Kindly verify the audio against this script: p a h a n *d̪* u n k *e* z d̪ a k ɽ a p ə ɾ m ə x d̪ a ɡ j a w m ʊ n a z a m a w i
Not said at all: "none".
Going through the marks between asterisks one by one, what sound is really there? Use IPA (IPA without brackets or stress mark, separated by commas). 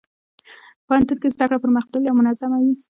t̪, e